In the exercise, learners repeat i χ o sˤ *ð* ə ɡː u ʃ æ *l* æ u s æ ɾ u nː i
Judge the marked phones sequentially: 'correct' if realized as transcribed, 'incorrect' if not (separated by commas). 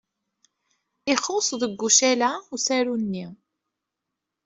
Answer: correct, correct